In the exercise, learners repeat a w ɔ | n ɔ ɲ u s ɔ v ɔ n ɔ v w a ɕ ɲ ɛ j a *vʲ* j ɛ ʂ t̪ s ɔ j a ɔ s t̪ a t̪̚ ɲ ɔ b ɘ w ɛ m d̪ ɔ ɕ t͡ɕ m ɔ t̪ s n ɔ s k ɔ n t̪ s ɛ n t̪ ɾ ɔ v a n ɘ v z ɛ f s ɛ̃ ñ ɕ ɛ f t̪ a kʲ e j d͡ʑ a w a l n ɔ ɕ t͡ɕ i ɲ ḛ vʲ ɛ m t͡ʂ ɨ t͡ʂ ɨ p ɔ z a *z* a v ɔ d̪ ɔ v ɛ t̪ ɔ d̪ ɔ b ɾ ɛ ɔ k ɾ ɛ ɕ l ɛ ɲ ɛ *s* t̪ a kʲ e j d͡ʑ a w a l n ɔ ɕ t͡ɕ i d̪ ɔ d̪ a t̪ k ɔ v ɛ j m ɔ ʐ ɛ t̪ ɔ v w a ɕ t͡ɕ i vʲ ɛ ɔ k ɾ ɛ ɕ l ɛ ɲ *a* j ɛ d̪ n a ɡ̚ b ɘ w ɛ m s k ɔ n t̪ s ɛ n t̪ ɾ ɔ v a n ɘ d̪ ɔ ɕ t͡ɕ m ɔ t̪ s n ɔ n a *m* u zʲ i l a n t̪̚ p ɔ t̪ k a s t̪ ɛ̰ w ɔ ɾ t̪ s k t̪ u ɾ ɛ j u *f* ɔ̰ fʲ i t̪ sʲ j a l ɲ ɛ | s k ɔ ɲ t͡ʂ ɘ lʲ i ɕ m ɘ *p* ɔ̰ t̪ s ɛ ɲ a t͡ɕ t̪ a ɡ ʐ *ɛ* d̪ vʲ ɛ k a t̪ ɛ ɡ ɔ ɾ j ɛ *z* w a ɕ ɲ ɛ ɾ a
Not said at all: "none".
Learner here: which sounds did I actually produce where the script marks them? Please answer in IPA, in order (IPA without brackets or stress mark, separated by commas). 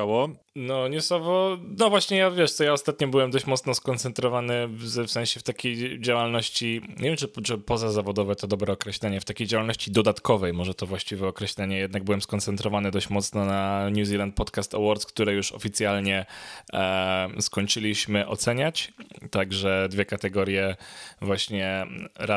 vʲ, z, f, ɛ, ɲ, ʂ, ʔ, ɛ, v